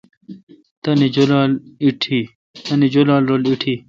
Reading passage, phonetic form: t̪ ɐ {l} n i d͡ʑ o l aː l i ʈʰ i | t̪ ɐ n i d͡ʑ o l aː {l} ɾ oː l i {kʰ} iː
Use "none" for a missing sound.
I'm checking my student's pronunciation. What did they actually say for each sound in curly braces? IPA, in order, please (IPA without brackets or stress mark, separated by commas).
none, l, ʈʰ